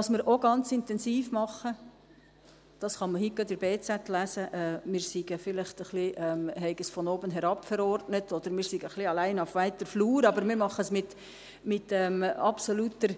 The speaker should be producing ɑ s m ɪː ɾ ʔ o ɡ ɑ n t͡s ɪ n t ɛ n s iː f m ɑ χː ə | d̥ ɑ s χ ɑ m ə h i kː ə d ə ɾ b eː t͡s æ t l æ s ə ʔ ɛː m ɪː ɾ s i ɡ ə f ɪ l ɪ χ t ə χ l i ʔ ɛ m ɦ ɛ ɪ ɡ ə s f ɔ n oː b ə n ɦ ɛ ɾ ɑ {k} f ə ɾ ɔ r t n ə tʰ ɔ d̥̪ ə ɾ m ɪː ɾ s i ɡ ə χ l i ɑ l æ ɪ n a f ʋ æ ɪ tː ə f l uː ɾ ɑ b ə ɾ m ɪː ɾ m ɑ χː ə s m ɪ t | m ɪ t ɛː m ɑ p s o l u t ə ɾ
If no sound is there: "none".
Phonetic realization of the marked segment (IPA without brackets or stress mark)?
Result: p